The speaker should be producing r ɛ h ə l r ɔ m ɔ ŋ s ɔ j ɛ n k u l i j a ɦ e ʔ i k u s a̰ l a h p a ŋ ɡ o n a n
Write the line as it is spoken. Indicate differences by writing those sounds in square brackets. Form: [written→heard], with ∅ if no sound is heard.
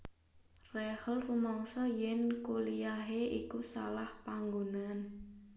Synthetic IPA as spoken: r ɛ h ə l r [ɔ→u] m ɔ ŋ s ɔ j ɛ n k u l i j a ɦ e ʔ i k u s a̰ l a h p a ŋ ɡ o n a n